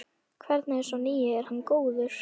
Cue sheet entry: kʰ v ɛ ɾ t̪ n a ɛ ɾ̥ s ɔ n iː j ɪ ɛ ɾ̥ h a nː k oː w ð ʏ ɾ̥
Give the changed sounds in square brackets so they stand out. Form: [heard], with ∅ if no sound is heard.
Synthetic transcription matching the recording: kʰ v ɛ ɾ t̪ n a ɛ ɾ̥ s ɔ n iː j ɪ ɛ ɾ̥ h a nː k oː w ð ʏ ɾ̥